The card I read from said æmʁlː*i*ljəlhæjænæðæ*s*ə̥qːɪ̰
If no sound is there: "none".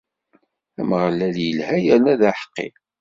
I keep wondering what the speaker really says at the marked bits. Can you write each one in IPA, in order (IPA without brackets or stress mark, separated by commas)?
æ, ħ